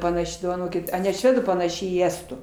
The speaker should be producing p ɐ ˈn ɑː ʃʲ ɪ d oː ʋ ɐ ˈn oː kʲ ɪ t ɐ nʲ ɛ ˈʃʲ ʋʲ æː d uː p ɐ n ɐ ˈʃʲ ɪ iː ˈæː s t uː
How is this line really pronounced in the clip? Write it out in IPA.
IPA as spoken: p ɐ ˈn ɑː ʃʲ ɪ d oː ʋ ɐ ˈn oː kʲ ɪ t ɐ nʲ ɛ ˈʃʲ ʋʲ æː d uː p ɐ n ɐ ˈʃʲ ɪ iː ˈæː s t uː